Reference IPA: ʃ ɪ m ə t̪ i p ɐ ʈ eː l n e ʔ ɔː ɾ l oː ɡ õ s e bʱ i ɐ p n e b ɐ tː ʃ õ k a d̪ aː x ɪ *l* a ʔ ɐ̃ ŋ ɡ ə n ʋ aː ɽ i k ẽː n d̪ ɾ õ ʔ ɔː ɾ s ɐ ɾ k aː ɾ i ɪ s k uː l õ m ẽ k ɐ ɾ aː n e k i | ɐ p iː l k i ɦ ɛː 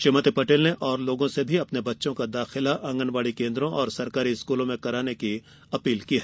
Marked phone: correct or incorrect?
correct